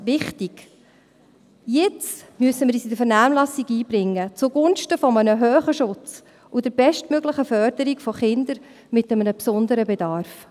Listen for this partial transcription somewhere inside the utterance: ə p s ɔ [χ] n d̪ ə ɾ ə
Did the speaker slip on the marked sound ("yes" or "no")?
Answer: yes